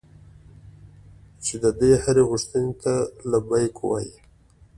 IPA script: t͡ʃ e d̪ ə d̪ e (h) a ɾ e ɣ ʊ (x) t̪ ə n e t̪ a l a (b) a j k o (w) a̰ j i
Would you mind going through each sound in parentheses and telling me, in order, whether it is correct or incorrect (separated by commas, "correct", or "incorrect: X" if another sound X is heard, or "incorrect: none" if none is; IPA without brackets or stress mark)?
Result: correct, incorrect: ʂ, correct, correct